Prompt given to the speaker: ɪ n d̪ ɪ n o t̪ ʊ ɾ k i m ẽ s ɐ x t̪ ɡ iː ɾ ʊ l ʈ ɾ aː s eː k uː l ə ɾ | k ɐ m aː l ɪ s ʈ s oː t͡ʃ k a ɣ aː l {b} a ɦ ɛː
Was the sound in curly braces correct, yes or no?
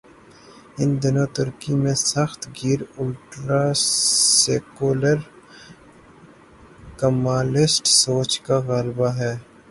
yes